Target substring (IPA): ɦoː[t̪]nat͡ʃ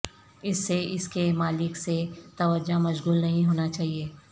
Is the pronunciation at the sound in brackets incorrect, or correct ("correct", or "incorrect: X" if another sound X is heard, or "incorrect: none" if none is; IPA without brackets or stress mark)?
incorrect: none